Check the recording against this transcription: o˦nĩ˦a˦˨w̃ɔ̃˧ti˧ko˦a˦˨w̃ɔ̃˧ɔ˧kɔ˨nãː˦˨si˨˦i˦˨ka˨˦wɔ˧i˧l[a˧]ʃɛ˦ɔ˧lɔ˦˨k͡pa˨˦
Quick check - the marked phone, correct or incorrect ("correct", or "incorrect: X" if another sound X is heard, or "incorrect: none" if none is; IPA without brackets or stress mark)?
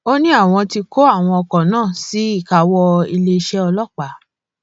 incorrect: e˧